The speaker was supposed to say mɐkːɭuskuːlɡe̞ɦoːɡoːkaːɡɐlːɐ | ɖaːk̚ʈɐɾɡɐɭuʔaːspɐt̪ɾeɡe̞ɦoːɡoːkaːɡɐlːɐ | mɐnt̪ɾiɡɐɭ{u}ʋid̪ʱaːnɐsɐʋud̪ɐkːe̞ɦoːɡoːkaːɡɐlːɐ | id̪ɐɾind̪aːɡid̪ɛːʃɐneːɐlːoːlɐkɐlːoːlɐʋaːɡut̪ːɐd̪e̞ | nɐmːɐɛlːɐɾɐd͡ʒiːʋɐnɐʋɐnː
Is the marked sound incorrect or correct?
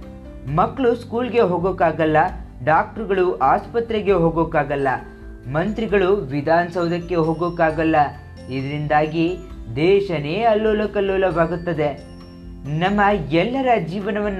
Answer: correct